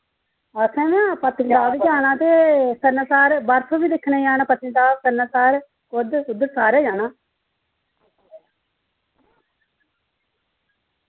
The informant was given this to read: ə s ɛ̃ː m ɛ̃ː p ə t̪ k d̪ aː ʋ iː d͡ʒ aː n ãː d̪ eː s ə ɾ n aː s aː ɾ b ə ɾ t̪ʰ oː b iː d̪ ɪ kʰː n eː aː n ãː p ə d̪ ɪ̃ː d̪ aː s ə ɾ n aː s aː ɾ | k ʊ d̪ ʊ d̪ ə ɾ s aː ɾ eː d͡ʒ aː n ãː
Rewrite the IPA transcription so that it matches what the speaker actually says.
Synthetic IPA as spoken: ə s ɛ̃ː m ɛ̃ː p ə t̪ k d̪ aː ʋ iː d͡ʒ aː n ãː t̪ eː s ə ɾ n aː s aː ɾ b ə ɾ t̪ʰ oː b iː d̪ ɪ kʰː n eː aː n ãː p ə t̪ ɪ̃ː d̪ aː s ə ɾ n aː s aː ɾ | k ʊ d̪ ʊ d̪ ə ɾ s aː ɾ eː d͡ʒ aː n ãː

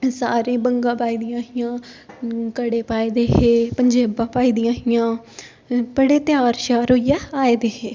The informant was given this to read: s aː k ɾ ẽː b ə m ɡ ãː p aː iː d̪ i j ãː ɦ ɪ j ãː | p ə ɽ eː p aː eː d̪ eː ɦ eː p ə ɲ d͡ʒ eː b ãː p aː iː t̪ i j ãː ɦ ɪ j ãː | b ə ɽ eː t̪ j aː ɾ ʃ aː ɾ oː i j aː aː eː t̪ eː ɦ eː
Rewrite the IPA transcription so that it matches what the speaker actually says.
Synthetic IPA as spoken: s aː ɾ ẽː b ə ŋ ɡ ãː p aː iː d̪ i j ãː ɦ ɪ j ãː | k ə ɽ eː p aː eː d̪ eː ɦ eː p ə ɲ d͡ʒ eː b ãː p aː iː d̪ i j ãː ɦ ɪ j ãː | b ə ɽ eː t̪ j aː ɾ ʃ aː ɾ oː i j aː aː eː d̪ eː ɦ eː

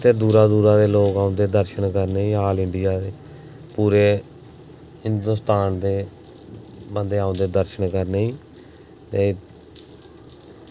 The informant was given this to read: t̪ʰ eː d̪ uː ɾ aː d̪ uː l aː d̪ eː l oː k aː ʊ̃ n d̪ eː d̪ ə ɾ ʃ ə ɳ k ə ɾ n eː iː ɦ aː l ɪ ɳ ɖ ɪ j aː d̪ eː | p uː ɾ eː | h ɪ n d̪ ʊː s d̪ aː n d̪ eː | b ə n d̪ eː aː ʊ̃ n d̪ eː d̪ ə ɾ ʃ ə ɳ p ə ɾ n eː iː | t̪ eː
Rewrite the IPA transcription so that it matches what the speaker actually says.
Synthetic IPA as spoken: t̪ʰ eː d̪ uː ɾ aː d̪ uː ɾ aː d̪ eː l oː k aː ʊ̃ n d̪ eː d̪ ə ɾ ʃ ə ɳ k ə ɾ n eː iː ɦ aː l ɪ ɳ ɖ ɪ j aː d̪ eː | p uː ɾ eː | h ɪ n d̪ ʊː s t̪ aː n d̪ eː | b ə n d̪ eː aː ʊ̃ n d̪ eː d̪ ə ɾ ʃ ə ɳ k ə ɾ n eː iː | t̪ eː

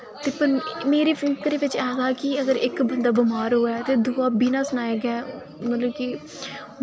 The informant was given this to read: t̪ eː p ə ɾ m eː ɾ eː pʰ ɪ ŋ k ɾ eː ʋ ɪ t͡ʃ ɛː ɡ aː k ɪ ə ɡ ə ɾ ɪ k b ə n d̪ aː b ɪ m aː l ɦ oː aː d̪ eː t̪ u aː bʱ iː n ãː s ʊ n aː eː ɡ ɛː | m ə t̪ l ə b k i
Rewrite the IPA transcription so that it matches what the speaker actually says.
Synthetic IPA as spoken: t̪ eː p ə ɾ m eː ɾ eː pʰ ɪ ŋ k ɾ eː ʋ ɪ t͡ʃ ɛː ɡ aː k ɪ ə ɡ ə ɾ ɪ k b ə n d̪ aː b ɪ m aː ɾ ɦ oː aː t̪ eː d̪ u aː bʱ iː n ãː s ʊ n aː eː ɡ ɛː | m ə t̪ l ə b k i

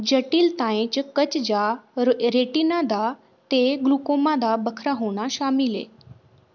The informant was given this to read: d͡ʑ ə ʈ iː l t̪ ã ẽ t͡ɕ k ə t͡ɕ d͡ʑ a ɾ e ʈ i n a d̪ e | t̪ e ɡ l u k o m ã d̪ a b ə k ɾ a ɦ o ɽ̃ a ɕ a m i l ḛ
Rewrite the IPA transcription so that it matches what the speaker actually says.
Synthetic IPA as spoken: d͡ʑ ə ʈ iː l t̪ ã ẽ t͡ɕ k ə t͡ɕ d͡ʑ a ɾ e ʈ i n a d̪ a | t̪ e ɡ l u k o m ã d̪ a b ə kʰ ɾ a ɦ o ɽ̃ a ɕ a m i l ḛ

